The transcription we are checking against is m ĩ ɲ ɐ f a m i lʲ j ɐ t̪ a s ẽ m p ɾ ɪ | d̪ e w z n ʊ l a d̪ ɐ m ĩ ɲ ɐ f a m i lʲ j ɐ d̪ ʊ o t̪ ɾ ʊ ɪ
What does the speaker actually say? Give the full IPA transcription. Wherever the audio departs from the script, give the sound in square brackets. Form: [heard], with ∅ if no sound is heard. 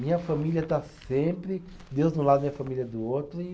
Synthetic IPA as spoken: m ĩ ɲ ɐ f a m i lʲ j ɐ t̪ a s ẽ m p ɾ ɪ | d̪ e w z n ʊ l a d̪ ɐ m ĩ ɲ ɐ f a m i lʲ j ɐ d̪ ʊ o t̪ ɾ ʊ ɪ